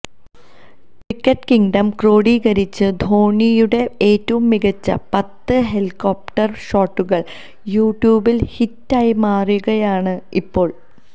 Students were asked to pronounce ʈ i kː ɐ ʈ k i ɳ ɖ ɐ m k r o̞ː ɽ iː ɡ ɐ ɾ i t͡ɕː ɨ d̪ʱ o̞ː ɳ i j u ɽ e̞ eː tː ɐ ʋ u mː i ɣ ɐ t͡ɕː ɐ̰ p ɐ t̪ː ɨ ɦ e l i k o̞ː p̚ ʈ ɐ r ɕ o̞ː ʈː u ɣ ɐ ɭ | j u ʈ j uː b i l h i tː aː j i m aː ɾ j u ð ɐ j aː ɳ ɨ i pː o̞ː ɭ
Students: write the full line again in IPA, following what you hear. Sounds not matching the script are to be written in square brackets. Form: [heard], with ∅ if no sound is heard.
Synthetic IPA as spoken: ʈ i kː ɐ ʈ k i [ŋ] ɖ ɐ m k r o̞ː ɽ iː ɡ ɐ ɾ i t͡ɕː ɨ d̪ʱ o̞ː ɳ i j u ɽ e̞ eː tː ɐ ʋ u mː i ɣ ɐ t͡ɕː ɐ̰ p ɐ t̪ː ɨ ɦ e l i k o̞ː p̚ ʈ ɐ r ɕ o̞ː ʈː u ɣ ɐ ɭ | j [uː] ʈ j uː b i l h i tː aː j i m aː [r] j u [ɣ] ɐ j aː ɳ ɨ i pː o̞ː ɭ